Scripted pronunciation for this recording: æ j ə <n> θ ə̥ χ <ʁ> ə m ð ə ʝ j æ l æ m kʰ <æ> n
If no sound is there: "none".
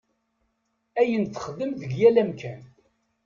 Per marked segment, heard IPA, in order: n, ð, æ

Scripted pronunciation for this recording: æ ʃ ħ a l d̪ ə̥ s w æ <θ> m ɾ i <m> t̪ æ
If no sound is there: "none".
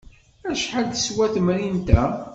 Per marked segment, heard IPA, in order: θ, n

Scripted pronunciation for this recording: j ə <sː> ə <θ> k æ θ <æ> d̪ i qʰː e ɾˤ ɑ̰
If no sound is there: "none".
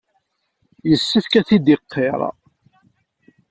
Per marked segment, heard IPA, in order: sː, θ, i

